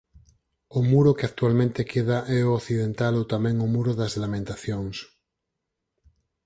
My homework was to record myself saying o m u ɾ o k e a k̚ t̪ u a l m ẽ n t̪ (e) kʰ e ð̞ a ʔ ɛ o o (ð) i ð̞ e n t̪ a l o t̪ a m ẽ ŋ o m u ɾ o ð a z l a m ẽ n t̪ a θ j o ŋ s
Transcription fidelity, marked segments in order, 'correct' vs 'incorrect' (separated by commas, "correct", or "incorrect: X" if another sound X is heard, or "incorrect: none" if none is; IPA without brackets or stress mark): correct, incorrect: θ